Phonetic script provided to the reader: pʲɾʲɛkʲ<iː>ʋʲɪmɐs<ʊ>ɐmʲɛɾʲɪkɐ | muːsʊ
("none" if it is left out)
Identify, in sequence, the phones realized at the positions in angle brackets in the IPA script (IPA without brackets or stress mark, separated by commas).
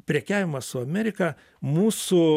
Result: æː, ʊ